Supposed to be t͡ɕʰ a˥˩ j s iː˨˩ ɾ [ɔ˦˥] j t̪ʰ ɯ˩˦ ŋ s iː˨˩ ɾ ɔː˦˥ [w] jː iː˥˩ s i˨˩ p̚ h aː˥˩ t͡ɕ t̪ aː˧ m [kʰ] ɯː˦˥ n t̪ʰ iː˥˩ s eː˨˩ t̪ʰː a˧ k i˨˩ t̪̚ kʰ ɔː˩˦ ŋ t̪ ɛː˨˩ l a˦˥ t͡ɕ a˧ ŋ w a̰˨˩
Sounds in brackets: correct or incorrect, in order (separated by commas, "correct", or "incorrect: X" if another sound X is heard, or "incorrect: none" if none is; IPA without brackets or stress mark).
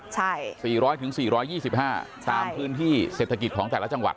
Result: incorrect: ɔː˦˥, incorrect: none, incorrect: pʰ